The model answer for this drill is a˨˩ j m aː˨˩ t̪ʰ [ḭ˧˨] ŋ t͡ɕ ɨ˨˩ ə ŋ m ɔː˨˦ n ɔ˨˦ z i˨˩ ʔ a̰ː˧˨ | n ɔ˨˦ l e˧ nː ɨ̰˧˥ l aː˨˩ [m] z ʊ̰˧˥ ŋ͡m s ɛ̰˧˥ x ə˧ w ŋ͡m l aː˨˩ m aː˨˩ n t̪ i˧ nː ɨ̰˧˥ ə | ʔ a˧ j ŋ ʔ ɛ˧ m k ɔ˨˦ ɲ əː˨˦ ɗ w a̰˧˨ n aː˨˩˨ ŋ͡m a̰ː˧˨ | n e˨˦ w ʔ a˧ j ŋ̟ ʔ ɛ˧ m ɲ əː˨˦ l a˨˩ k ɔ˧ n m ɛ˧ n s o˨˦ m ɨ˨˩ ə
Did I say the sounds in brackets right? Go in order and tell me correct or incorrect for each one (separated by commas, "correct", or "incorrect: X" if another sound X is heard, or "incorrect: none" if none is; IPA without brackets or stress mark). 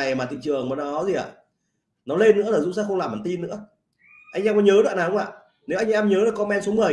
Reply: correct, incorrect: none